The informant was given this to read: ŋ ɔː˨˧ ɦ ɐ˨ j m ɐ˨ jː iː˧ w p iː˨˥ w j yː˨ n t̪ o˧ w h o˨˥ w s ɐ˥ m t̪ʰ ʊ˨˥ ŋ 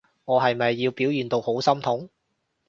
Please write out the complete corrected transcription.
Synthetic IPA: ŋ ɔː˨˧ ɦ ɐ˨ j m ɐ˨ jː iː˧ w p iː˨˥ w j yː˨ n t̪ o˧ w h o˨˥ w s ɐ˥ m t̪ʰ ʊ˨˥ ŋ